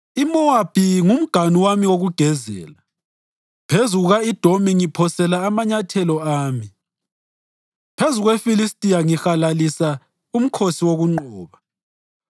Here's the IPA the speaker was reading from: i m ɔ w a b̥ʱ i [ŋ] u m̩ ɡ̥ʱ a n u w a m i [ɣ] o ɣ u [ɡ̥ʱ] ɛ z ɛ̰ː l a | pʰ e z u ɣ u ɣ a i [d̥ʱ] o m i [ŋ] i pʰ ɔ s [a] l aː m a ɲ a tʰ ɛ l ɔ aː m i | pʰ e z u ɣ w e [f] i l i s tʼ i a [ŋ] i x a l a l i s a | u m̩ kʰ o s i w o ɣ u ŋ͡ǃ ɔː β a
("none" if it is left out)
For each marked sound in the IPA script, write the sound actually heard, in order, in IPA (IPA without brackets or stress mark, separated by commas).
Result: ŋ, w, ɡ̥ʱ, d̥ʱ, ŋ, ɛ, f, ŋ